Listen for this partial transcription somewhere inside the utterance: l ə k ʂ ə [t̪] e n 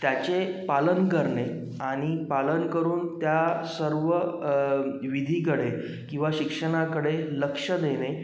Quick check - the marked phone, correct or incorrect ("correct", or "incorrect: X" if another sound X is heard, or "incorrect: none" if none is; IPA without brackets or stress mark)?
incorrect: d̪